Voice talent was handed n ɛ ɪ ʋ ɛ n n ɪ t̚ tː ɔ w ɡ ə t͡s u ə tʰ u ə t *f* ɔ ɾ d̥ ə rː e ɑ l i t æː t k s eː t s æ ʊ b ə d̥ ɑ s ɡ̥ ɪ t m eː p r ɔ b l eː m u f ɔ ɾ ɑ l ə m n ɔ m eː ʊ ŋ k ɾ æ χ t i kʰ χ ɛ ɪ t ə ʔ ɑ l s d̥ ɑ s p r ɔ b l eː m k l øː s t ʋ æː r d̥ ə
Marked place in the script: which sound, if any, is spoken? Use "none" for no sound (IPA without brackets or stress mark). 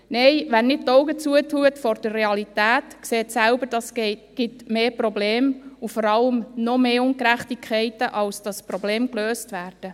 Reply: f